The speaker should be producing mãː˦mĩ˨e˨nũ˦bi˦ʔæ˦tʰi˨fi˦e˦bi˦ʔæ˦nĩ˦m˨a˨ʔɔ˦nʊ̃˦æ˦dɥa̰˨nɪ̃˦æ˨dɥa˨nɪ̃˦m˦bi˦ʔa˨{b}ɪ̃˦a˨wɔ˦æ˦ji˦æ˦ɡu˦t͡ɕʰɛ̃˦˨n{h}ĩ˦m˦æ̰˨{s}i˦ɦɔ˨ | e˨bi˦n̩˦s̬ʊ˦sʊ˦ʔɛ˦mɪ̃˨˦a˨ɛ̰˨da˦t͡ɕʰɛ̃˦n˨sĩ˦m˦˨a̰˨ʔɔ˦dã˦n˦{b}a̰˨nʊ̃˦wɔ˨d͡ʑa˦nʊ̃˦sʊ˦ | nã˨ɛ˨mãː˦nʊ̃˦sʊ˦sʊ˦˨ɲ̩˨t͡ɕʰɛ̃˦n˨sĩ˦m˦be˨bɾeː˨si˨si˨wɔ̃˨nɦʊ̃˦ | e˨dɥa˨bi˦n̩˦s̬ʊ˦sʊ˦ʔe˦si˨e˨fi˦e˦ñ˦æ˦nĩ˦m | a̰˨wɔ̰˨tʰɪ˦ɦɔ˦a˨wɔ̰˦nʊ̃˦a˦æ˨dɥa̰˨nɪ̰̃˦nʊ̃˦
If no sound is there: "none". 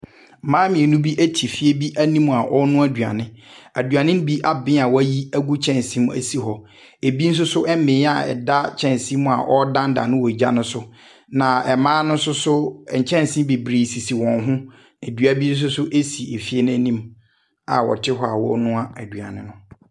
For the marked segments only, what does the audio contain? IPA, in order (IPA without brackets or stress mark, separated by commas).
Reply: b, s, s, d